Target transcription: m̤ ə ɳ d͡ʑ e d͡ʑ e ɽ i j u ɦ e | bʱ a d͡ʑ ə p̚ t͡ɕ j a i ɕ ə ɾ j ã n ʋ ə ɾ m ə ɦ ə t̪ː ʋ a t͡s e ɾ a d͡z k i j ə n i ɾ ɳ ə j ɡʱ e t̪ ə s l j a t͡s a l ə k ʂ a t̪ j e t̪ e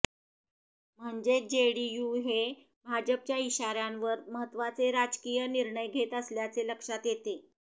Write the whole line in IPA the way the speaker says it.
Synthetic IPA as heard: m̤ ə ɳ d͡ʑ e d͡ʑ e ɽ i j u ɦ e | bʱ a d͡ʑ ə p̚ t͡ɕ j a i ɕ a ɾ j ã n ʋ ə ɾ m ə ɦ ə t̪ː ʋ a t͡s e ɾ a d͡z k i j ə n i ɾ ɳ ə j ɡʱ e t̪ ə s l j a t͡s e l ə k ʂ a t̪ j e t̪ e